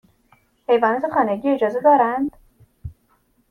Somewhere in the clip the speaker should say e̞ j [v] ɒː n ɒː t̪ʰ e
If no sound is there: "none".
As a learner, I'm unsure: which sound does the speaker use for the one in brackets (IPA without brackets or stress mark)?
v